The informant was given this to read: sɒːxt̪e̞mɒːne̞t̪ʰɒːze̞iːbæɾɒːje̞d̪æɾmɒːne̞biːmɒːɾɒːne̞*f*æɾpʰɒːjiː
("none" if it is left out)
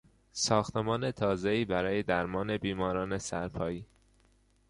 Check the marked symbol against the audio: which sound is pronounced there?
s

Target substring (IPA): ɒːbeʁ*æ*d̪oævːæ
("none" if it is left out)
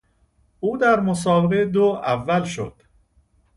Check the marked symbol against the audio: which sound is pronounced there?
e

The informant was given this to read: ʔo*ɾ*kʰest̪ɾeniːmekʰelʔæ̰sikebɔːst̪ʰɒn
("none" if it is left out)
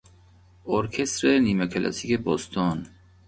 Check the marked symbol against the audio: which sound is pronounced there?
ɾ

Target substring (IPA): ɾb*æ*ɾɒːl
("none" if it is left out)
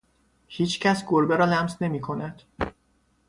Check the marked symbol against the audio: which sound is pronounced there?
e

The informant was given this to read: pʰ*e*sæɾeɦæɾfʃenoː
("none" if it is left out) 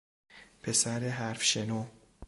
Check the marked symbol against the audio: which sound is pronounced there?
e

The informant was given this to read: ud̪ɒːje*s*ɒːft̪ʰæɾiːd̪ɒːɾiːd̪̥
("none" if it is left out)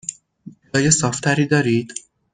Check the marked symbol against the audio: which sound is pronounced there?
s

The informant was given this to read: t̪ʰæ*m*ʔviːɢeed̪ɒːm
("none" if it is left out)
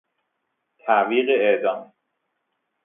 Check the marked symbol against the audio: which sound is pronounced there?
none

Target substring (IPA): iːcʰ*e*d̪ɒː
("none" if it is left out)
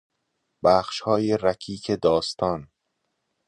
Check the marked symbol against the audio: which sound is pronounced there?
e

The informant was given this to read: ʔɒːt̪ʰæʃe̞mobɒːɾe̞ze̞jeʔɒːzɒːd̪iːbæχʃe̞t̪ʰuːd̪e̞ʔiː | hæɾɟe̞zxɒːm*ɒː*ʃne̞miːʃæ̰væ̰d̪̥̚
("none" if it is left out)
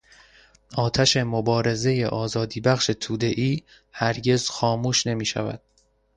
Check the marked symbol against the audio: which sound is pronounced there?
uː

